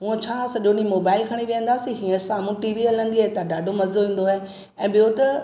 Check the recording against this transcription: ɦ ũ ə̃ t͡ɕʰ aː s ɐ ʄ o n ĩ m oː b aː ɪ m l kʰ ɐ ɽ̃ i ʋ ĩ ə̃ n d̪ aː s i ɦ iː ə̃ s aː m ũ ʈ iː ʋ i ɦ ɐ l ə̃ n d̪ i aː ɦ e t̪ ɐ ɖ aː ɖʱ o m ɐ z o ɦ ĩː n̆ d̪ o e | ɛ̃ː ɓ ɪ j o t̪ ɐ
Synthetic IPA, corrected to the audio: ɦ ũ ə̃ t͡ɕʰ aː s ɐ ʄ o n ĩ m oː b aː ɪ l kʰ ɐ ɽ̃ i ʋ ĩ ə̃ n d̪ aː s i ɦ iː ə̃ s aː m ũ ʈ iː ʋ i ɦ ɐ l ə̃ n d̪ i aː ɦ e t̪ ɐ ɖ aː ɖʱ o m ɐ z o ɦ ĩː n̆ d̪ o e | ɛ̃ː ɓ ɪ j o t̪ ɐ